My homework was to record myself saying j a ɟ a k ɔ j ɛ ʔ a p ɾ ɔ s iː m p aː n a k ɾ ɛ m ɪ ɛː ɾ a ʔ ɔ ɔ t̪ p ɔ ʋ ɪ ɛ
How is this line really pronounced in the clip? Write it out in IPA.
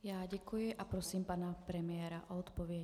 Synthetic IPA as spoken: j a ɟ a k u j ɛ ʔ a p ɾ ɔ s iː m p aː n a p ɾ ɛ m ɪ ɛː ɾ a ʔ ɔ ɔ t̪ p ɔ ʋ ɪ ɛ